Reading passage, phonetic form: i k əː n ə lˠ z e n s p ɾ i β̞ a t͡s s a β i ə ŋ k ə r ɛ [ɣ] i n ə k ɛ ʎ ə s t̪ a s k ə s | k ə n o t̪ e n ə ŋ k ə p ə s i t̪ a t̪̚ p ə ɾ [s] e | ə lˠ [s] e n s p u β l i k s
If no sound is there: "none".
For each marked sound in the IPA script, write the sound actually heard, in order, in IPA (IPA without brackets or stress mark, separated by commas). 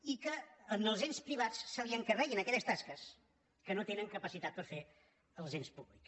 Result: ɣ, f, z